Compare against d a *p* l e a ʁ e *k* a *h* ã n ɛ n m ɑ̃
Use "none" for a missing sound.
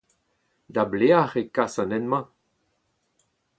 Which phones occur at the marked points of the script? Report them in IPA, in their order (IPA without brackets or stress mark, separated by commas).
b, k, s